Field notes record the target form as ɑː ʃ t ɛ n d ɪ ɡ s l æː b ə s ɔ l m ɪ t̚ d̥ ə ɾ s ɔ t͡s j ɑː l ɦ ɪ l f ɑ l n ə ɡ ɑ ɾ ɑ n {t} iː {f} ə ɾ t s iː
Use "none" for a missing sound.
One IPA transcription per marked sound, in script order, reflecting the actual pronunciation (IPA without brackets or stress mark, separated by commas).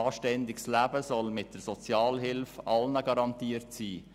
t, none